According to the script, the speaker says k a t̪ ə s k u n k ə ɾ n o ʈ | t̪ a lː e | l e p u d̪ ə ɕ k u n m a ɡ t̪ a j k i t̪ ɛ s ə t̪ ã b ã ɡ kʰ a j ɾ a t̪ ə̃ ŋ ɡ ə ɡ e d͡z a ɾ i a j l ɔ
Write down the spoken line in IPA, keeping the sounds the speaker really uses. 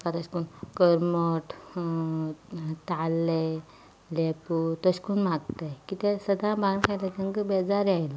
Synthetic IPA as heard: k a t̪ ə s k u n k ə ɾ m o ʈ | t̪ a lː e | l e p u t̪ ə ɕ k u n m a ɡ t̪ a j k i t̪ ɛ s ə d̪ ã b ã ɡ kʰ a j l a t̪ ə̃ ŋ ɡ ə b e d͡z a ɾ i a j l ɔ